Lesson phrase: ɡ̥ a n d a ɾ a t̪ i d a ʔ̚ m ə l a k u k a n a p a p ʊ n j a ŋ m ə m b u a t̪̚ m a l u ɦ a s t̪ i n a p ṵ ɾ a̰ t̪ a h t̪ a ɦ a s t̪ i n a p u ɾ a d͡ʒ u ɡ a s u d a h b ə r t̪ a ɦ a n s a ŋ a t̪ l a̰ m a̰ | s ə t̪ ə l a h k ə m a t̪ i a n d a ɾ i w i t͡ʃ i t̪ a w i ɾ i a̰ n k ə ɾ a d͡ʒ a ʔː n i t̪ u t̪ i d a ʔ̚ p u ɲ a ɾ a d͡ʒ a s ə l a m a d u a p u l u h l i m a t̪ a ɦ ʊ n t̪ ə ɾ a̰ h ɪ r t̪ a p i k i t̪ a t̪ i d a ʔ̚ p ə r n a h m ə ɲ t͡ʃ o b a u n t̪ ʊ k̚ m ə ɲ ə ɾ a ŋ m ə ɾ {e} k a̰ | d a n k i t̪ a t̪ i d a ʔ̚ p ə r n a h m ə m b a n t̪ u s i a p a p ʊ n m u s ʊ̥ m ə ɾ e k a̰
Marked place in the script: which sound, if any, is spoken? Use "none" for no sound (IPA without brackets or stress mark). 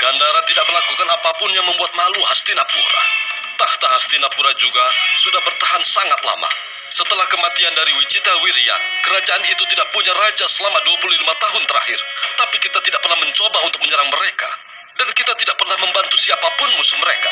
e